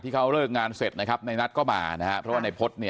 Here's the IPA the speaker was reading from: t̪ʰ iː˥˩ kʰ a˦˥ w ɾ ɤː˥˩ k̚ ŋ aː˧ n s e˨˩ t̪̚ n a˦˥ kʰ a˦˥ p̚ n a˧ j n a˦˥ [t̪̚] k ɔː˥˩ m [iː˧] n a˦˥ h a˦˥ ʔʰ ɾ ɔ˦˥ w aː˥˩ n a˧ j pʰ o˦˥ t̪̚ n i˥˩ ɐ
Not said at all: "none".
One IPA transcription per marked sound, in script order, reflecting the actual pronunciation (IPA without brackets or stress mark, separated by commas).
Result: t̪̚, aː˧